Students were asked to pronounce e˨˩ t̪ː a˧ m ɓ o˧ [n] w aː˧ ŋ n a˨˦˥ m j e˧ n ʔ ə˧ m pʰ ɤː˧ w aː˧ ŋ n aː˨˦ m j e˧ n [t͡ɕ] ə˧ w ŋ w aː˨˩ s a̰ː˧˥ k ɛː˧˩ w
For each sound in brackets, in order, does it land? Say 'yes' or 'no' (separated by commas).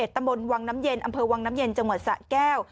yes, yes